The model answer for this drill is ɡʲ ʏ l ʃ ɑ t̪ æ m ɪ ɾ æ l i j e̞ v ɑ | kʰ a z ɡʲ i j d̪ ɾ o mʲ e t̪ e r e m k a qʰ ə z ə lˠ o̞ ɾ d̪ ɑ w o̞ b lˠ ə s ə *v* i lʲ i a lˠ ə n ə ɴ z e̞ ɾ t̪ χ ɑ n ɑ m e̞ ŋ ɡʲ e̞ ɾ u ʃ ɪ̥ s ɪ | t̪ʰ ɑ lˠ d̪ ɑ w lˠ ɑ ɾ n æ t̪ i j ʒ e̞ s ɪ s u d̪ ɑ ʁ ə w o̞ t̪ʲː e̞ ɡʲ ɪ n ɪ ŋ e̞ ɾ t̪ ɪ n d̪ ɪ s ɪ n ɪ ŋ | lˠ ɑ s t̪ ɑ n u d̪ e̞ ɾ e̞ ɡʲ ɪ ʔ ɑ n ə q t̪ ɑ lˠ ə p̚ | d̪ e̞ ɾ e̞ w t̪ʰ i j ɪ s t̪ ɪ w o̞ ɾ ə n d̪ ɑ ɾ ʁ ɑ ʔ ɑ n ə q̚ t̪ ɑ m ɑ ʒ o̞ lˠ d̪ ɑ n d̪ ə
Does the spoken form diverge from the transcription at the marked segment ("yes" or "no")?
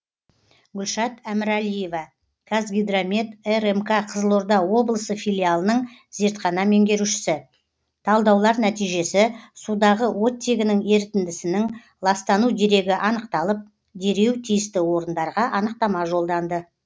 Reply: yes